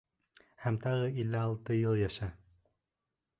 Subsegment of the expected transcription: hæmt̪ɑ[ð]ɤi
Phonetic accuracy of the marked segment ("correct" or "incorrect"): incorrect